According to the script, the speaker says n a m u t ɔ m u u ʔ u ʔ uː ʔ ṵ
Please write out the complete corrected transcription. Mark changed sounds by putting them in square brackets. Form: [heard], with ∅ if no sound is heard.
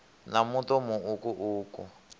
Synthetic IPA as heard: n a m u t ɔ m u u [k] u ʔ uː [k] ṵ